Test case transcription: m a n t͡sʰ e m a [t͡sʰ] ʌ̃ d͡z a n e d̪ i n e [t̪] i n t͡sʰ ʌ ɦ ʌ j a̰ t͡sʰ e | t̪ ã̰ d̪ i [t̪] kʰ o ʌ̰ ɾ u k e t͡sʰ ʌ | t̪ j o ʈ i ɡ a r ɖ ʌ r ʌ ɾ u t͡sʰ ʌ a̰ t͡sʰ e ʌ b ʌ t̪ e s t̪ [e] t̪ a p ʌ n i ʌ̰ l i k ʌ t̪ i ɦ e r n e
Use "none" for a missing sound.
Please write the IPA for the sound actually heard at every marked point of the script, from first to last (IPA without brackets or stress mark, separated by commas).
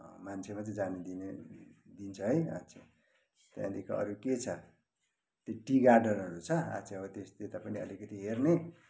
t͡s, d̪, none, e